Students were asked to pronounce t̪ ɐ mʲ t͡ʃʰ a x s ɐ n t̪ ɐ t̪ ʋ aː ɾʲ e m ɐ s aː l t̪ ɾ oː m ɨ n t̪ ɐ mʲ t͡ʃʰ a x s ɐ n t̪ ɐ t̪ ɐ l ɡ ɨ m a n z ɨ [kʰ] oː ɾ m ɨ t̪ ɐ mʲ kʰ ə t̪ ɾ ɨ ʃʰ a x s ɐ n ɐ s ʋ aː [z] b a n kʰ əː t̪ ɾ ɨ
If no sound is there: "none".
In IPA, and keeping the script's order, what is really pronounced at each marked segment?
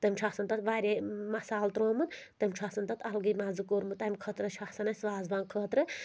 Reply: k, z

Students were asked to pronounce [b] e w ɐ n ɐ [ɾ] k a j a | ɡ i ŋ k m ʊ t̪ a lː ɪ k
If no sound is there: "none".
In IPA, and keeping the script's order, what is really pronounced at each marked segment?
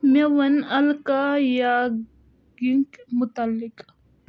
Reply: m, l

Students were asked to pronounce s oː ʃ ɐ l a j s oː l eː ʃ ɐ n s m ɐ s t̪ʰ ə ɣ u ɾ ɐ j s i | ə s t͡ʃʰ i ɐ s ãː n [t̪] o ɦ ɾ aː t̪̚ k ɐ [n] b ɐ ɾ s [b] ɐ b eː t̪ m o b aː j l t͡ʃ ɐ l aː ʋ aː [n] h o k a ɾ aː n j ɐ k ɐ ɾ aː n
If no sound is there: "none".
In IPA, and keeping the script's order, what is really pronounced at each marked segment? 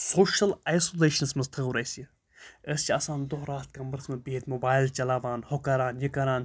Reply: d̪, m, m, n

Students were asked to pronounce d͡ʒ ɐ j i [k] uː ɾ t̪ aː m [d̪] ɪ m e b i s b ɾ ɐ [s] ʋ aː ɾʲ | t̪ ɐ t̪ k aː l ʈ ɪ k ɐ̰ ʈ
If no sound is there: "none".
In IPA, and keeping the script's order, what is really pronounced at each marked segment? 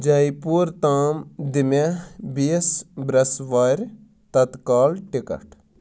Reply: p, d̪, s

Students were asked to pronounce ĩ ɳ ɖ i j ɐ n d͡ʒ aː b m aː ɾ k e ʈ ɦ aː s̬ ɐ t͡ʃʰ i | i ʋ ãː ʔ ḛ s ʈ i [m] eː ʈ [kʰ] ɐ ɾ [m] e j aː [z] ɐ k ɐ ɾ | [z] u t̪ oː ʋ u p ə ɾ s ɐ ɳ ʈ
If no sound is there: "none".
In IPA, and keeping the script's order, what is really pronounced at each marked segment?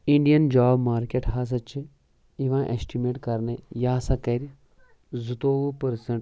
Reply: m, k, n, s, z

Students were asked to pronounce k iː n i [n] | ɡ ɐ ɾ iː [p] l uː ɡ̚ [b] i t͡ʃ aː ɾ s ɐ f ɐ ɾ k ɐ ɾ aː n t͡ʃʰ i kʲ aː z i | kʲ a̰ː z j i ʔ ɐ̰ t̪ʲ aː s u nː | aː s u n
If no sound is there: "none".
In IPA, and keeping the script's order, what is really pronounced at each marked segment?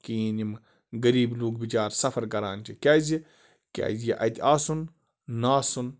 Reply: m, b, b

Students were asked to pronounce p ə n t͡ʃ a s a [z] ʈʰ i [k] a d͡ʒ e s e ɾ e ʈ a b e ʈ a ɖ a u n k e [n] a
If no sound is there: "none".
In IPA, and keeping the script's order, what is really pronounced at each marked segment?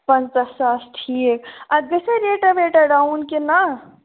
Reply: s, k, n

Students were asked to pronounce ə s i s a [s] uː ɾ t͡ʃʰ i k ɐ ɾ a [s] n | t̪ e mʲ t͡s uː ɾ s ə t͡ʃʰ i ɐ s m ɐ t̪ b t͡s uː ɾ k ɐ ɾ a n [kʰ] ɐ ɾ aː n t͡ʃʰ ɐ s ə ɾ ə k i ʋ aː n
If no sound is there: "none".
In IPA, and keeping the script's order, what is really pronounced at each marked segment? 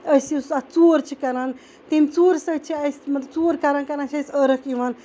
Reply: t͡s, none, k

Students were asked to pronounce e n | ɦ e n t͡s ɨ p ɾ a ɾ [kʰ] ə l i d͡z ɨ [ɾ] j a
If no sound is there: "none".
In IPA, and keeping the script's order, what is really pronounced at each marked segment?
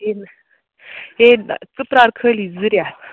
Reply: kʰ, ɾ

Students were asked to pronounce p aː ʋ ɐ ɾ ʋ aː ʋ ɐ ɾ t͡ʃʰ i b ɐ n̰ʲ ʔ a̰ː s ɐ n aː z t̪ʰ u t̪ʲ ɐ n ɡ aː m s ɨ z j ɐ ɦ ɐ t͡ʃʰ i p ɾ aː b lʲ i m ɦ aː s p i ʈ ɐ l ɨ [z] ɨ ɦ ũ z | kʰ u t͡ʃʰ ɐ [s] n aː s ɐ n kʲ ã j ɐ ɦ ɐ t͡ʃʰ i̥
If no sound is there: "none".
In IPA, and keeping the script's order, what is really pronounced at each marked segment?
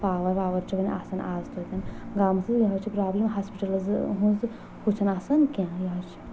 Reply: z, none

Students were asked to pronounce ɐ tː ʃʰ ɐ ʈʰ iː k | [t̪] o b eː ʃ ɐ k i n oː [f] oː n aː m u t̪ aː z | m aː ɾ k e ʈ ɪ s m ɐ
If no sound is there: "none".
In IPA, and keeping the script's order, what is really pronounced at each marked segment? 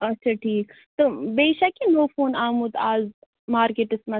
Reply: t̪, f

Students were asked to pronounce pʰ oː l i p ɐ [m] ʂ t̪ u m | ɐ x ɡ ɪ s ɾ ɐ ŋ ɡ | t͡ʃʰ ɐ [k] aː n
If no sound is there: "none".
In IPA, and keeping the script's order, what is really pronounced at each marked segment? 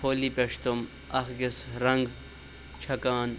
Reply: none, k

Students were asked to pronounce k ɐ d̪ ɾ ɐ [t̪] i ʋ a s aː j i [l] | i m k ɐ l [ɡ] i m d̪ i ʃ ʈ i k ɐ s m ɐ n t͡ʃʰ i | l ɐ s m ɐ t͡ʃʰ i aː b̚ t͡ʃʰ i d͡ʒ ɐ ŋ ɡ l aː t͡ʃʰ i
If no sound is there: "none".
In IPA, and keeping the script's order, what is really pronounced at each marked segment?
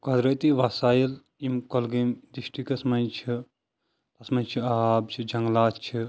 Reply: t̪, l, ɡ

